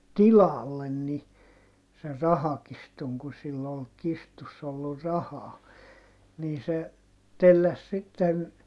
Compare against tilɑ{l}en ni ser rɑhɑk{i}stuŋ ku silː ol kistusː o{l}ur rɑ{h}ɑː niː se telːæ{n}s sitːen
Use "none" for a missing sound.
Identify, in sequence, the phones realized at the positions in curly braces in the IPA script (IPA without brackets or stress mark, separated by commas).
lː, i, lː, h, none